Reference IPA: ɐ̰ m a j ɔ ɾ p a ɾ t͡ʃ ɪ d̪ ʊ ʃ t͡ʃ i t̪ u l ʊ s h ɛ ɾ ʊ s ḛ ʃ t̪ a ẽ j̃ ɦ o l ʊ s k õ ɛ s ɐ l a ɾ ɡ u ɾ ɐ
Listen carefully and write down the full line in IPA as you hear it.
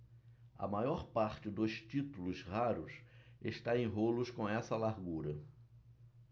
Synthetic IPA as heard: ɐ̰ m a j ɔ ɾ p a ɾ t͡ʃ ɪ d̪ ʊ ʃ t͡ʃ i t̪ u l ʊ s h a ɾ ʊ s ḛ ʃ t̪ a ẽ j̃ ɦ o l ʊ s k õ ɛ s ɐ l a ɾ ɡ u ɾ ɐ